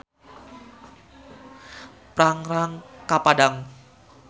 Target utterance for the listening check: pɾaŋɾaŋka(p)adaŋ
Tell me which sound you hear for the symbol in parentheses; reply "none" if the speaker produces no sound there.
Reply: p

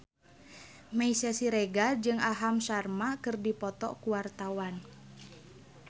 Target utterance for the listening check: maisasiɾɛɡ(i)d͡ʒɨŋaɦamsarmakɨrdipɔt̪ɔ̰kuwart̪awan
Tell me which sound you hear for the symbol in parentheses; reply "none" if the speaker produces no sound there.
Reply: a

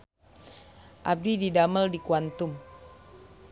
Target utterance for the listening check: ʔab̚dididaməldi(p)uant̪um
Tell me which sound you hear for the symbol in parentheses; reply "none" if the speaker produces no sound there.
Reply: k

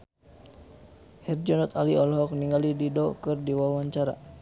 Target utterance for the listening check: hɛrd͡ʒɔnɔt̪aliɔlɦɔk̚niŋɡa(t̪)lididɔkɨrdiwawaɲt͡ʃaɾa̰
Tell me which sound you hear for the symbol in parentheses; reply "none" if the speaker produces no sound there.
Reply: none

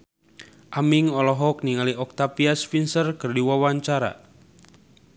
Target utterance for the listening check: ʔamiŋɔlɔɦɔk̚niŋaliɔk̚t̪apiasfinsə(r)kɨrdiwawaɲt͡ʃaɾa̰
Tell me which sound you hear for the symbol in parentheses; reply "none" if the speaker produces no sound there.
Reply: r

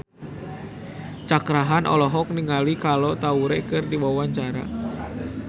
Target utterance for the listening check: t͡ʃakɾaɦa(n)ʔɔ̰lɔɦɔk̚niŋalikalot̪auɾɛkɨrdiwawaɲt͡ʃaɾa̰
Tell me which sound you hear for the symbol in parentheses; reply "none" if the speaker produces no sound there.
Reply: n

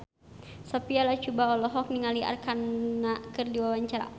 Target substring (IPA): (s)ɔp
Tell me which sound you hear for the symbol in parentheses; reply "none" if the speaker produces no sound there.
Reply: s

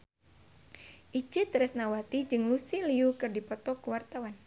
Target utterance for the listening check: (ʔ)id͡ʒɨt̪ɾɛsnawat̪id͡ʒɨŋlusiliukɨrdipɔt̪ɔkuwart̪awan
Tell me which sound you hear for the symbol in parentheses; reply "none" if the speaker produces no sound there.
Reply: ʔ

